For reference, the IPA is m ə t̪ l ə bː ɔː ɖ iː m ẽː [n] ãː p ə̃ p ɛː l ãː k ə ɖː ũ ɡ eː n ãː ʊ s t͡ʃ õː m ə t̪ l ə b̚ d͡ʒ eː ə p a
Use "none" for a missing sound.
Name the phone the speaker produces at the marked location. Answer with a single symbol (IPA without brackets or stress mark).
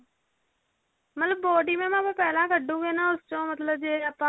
m